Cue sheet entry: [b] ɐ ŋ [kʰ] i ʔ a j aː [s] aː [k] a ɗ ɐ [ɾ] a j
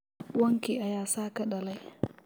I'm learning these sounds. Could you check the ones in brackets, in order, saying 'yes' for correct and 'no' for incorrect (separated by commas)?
no, no, yes, yes, no